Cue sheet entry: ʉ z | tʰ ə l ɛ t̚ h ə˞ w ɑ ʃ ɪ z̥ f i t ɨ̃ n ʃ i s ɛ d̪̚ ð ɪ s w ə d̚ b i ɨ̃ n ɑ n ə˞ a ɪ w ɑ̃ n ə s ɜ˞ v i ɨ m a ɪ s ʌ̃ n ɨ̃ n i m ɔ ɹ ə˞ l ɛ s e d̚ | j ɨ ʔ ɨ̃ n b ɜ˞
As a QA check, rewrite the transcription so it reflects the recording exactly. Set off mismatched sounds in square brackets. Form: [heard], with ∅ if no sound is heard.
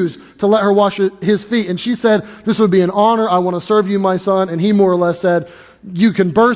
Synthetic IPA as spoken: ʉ z | tʰ ə l ɛ t̚ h ə˞ w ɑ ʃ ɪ z̥ f i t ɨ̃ n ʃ i s ɛ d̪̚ ð ɪ s w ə d̚ b i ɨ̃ n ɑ n ə˞ a ɪ w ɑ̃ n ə s ɜ˞ v [j] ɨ m a ɪ s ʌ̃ n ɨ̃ n i m ɔ ɹ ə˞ l ɛ s [ɛ] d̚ | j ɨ [k] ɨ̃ n b ɜ˞